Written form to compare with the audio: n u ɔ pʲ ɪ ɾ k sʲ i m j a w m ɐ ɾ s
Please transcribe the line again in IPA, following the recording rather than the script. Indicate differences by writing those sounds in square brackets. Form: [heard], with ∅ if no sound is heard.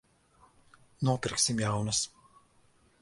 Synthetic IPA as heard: n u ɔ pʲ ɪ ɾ k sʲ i m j a w [n] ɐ [∅] s